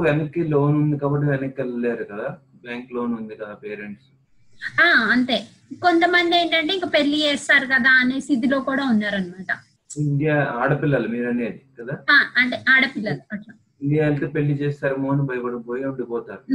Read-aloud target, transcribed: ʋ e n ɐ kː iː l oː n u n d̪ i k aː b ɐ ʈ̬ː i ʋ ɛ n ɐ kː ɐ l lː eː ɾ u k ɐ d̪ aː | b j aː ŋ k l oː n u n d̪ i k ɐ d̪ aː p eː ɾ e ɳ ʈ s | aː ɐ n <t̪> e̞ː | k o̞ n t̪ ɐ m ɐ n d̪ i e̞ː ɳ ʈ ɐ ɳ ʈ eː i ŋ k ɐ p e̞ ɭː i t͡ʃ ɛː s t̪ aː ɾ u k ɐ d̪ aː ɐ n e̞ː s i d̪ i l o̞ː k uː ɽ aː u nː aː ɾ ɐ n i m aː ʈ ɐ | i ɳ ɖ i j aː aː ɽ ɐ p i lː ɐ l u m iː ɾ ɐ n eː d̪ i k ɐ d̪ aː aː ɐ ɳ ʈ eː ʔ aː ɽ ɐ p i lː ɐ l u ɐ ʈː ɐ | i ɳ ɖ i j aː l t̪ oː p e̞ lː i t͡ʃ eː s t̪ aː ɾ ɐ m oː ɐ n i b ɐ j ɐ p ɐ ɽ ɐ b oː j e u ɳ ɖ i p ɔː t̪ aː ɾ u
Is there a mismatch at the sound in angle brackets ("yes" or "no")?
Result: no